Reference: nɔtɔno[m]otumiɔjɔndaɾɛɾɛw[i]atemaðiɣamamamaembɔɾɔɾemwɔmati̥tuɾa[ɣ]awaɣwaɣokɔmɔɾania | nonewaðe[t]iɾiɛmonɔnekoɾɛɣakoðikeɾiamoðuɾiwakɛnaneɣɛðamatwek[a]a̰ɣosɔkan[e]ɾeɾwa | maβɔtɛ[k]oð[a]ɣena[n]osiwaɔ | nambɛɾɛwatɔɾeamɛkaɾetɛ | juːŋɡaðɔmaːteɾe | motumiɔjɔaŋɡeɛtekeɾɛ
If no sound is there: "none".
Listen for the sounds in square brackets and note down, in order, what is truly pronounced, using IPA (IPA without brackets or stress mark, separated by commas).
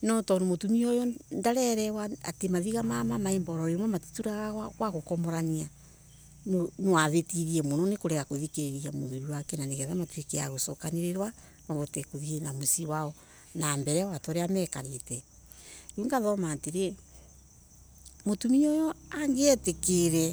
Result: m, a, ɣ, t, e, e, k, i, m